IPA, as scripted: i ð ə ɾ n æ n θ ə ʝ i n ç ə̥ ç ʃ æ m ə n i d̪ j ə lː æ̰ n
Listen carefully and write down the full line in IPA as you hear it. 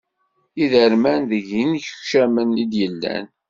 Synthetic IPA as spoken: i ð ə ɾ m æ n ð ə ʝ i n ç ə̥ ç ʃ æ m ə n i d̪ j ə lː æ̰ n